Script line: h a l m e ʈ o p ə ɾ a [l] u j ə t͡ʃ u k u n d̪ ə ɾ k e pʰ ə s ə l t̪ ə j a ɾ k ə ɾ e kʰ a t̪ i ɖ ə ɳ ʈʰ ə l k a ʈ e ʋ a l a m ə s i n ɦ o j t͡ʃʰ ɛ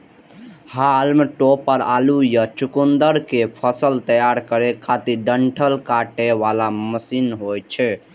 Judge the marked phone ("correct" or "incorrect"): correct